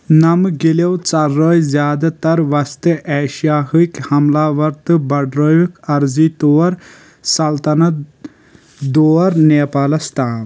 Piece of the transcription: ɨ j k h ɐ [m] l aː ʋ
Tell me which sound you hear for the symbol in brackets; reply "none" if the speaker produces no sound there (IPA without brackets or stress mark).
m